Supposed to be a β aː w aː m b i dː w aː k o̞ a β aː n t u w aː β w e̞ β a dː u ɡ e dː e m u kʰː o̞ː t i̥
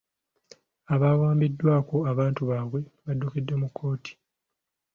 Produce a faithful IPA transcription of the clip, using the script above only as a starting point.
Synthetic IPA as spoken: a β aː w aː m b i dː w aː k o̞ a β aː n t u β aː β w e̞ β a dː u k e dː e m u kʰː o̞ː t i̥

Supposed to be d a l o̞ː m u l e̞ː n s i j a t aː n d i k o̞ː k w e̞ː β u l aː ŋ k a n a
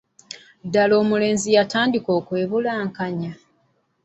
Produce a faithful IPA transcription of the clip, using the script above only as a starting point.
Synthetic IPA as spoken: d a l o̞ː m u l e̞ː n z i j a t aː n d i k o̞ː k w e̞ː β u l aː ŋ k a ɲ a

